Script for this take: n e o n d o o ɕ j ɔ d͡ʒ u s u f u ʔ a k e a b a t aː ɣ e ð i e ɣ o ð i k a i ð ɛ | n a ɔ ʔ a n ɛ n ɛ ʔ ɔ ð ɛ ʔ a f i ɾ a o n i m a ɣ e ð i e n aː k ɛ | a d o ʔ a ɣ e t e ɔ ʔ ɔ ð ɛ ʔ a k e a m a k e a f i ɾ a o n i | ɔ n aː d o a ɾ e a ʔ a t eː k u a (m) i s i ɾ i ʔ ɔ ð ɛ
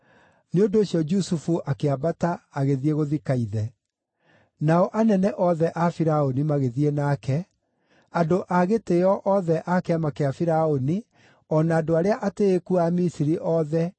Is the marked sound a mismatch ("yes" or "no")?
no